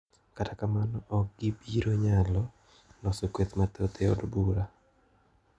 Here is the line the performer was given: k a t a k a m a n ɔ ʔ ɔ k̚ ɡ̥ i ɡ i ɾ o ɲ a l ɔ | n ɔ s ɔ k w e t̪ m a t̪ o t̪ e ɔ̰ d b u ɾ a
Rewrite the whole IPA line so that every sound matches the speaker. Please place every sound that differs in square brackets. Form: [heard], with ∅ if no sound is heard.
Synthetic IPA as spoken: k a t a k a m a n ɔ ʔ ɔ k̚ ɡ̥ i [b] i ɾ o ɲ a l ɔ | n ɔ s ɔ k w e t̪ m a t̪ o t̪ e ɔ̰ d b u ɾ a